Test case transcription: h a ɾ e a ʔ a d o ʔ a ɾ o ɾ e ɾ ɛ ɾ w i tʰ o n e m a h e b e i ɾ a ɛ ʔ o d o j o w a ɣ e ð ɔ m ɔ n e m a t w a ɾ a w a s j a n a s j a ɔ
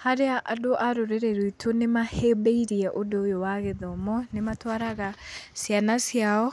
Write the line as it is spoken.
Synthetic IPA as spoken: h a ɾ e a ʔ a d o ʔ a ɾ o ɾ e ɾ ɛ ɾ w i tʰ o n e m a h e b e i ɾ i ɛ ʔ o d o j o w a ɣ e ð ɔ m ɔ n e m a t w a ɾ a ɣ a s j a n a s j a ɔ